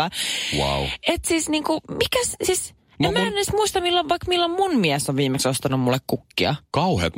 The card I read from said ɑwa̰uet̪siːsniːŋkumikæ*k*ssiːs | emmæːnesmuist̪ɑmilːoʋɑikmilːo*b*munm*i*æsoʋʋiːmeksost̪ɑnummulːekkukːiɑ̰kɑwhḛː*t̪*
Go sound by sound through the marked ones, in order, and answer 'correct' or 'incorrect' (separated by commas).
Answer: incorrect, incorrect, correct, correct